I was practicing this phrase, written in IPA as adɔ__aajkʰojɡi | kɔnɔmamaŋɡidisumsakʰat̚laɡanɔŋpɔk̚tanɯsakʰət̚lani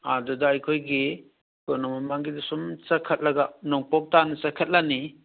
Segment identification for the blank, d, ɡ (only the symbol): d